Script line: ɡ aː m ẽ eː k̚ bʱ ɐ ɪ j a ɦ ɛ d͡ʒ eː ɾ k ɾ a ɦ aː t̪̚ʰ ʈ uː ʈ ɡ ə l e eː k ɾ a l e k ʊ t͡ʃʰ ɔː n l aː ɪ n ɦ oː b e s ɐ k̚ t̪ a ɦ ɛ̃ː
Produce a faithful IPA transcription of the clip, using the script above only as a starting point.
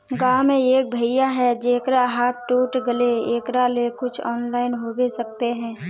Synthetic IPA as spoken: ɡ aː m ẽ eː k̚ bʱ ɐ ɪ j a ɦ ɛ d͡ʒ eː k ɾ a ɦ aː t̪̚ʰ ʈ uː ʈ ɡ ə l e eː k ɾ a l e k ʊ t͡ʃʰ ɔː n l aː ɪ n ɦ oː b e s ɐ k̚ t̪ e ɦ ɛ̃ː